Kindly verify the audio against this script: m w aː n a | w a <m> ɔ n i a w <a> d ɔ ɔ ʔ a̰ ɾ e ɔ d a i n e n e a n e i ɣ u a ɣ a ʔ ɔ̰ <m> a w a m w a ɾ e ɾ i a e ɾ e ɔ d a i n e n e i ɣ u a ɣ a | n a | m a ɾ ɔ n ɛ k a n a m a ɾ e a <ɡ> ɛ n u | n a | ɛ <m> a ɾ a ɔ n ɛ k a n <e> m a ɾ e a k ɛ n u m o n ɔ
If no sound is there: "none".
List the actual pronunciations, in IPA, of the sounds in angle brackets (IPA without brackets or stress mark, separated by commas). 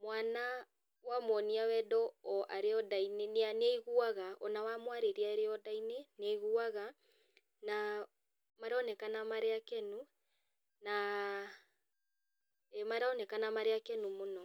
m, ɛ, n, k, m, a